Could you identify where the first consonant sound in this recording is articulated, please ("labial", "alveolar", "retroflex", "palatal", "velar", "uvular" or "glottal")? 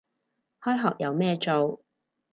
glottal